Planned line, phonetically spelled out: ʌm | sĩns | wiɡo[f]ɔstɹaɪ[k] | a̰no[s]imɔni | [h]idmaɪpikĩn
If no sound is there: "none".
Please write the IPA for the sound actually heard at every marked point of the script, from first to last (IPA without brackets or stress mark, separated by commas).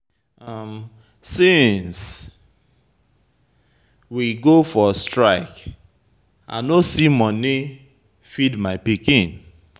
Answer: f, k, s, f